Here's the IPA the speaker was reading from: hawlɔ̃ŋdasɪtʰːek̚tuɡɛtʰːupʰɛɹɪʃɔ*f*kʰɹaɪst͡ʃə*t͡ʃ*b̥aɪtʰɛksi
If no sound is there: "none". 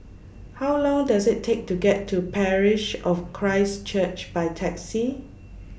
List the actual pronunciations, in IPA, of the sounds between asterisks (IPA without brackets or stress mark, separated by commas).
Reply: f, t͡ʃ